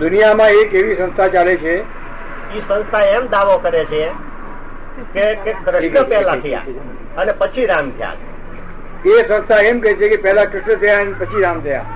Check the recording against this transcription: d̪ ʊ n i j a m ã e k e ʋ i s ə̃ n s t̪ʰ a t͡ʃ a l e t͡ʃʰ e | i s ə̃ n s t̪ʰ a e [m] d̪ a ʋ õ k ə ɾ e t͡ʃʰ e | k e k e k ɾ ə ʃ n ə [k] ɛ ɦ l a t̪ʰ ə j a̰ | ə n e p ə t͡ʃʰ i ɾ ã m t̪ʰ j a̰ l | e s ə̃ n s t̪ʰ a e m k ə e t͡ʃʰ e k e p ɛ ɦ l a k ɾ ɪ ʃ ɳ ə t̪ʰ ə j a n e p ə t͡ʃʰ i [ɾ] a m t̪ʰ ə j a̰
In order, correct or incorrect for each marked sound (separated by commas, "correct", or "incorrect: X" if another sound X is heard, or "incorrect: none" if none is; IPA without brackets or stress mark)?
correct, incorrect: p, correct